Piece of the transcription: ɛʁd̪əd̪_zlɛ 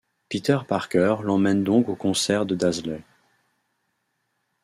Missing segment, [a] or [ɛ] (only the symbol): a